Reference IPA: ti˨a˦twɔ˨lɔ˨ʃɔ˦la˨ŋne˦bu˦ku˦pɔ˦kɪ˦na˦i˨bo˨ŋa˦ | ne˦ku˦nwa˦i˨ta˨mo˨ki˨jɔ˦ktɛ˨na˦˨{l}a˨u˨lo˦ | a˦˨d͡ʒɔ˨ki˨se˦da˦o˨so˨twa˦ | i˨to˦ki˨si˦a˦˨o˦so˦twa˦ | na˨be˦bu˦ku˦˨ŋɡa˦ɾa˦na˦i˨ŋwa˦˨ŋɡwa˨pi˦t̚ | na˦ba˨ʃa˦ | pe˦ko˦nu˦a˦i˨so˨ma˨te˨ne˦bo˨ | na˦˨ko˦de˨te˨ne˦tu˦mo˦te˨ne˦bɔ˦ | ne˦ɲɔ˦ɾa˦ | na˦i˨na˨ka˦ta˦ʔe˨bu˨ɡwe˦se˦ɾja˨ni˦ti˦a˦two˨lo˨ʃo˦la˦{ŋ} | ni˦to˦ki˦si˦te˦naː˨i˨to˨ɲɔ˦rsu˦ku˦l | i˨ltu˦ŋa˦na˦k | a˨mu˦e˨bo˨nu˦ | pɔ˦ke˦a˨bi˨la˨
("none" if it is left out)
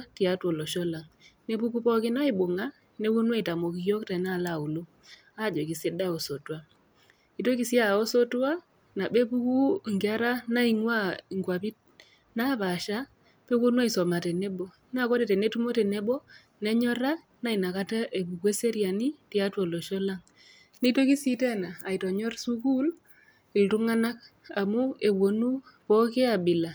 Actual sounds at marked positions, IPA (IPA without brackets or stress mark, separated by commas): l, ŋ